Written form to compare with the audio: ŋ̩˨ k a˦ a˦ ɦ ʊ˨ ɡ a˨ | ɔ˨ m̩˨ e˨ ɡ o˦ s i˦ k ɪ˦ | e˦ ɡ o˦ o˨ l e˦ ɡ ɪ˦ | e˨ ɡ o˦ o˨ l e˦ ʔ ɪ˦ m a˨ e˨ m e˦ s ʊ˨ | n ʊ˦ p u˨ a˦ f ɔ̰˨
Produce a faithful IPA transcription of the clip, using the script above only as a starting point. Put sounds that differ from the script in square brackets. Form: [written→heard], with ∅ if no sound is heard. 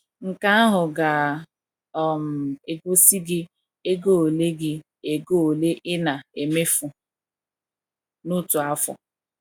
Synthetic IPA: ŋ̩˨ k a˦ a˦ ɦ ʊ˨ ɡ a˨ | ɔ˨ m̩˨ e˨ ɡ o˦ s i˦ [k→ɡ] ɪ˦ | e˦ ɡ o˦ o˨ l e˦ ɡ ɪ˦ | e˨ ɡ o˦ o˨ l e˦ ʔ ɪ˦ [m→n] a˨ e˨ m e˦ [s→f] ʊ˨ | n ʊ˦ [p→t] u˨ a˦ f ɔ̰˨